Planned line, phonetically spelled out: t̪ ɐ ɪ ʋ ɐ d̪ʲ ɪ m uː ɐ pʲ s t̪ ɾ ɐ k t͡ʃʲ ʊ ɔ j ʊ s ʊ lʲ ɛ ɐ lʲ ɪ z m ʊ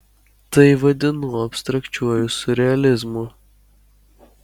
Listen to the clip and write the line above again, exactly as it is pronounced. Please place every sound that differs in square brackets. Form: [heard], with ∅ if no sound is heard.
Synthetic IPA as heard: t̪ ɐ ɪ ʋ ɐ d̪ʲ ɪ [n] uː ɐ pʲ s t̪ ɾ ɐ k t͡ʃʲ [u] ɔ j ʊ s ʊ [ɾʲ] ɛ ɐ lʲ ɪ z m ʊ